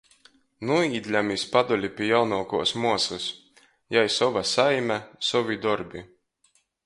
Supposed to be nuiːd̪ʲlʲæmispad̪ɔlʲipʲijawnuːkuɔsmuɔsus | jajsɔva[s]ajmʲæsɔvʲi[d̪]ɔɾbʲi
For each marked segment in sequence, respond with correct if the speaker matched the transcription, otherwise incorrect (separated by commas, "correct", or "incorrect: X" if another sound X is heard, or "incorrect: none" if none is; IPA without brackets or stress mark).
correct, correct